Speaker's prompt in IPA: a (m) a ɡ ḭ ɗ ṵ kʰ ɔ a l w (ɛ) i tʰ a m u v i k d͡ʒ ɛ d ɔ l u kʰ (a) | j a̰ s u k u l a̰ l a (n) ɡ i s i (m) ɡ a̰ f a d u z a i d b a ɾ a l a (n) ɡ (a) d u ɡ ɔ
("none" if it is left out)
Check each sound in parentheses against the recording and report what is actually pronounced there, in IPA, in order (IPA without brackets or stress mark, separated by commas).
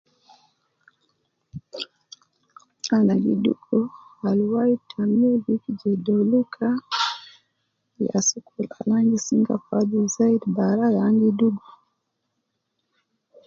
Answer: n, a, a, ŋ, ŋ, ŋ, i